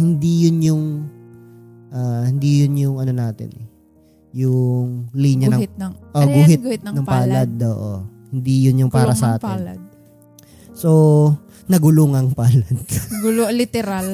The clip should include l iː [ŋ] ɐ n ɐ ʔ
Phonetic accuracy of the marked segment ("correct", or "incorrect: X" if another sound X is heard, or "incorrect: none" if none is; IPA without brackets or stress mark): incorrect: ɲ